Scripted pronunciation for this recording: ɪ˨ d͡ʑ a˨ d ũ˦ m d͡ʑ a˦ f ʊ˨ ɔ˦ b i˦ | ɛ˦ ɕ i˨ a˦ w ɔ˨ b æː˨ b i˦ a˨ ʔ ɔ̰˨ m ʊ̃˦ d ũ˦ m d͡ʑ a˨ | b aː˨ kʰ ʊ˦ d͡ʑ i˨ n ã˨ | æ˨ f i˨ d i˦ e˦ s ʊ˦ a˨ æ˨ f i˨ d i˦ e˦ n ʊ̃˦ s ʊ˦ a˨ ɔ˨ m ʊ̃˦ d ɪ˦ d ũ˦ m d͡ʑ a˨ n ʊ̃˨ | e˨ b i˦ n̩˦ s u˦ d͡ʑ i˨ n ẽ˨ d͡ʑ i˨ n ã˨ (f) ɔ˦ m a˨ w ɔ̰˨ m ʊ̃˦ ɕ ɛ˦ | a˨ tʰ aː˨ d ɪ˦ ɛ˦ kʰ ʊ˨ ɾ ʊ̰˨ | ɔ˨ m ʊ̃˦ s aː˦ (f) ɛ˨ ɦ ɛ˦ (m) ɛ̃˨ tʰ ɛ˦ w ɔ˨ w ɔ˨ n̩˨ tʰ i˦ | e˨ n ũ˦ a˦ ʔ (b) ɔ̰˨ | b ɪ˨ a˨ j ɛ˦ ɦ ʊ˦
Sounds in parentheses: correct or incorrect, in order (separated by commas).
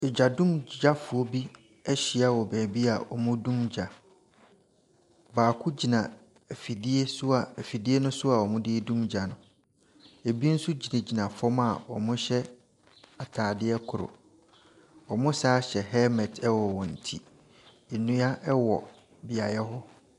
correct, incorrect, correct, incorrect